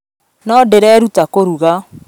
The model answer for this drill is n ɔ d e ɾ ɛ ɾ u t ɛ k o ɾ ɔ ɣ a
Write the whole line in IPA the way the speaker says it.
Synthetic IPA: n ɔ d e ɾ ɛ ɾ u t a k o ɾ u ɣ a